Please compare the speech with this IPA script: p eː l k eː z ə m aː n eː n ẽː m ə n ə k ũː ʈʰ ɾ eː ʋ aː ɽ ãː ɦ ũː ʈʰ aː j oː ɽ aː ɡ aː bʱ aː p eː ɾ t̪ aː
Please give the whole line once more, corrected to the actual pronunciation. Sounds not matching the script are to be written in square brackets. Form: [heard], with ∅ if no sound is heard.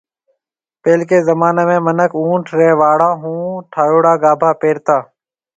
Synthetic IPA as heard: p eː l k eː z ə m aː n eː [m] ẽː m ə n ə k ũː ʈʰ ɾ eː ʋ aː ɽ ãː ɦ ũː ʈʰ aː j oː ɽ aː ɡ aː bʱ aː p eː ɾ t̪ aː